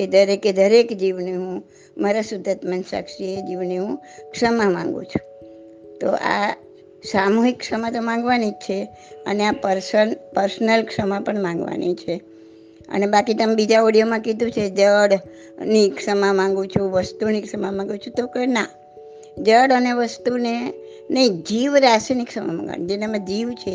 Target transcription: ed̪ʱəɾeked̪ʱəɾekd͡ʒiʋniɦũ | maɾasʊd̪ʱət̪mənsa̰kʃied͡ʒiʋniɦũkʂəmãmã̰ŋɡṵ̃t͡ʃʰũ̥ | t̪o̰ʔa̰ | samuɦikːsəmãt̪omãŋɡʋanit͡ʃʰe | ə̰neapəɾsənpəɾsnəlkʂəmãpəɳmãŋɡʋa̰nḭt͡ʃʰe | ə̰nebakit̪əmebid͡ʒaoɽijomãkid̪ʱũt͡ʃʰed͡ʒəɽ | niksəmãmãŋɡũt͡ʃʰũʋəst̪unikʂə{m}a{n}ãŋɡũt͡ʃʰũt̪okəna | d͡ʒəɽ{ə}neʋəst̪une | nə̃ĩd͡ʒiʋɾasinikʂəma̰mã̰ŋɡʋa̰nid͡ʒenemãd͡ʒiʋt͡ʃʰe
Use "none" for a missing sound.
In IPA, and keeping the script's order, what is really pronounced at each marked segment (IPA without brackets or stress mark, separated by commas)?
m, m, ə